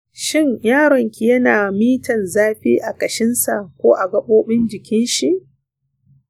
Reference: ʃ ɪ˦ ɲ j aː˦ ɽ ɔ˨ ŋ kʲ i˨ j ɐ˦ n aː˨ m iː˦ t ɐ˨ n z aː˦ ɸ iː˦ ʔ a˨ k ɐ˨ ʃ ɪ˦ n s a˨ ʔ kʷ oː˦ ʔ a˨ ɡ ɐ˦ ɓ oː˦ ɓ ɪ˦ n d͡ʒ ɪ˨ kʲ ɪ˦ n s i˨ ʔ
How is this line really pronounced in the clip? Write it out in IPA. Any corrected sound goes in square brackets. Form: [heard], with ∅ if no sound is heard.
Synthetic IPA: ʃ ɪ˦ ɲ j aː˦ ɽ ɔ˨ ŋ kʲ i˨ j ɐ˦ n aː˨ m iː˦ t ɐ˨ n z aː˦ ɸ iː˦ ʔ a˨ k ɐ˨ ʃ ɪ˦ n s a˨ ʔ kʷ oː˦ ʔ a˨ ɡ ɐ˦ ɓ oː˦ ɓ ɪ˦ n d͡ʒ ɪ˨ kʲ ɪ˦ n [ʃ] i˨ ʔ